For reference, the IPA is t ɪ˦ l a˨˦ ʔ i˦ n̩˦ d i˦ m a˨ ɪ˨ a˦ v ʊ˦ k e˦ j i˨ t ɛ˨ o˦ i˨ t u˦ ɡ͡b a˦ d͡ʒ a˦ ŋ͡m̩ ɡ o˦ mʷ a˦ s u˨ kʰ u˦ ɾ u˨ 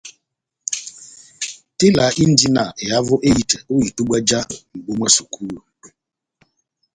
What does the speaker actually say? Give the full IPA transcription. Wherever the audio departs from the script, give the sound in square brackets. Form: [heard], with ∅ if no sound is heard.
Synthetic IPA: t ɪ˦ l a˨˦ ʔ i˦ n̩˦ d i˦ [n] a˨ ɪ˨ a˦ v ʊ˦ [ʔ] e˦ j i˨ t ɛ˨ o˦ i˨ t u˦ ɡ͡b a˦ d͡ʒ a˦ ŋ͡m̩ [ɡ͡b] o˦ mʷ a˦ s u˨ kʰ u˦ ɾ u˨